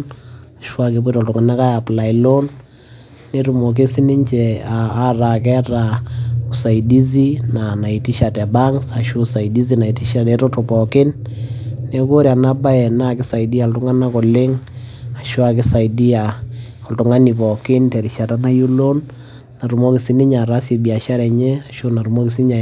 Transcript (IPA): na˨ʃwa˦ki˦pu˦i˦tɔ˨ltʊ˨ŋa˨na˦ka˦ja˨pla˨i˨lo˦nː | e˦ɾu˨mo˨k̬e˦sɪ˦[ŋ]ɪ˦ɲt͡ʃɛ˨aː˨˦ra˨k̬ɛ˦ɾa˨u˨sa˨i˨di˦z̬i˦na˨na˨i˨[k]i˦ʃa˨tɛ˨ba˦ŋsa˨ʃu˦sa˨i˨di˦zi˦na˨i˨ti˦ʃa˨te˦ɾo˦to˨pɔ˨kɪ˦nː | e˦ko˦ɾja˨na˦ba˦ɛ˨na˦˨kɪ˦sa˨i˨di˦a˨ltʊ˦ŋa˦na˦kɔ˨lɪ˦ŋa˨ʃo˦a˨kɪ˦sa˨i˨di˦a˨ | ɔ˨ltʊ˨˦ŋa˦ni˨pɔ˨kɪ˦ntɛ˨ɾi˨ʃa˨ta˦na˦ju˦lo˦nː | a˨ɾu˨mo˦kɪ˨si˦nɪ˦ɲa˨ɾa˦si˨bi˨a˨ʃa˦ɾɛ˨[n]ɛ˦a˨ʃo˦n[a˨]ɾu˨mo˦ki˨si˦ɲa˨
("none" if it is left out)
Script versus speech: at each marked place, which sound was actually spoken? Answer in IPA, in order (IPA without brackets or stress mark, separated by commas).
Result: n, t, ɲ, a˨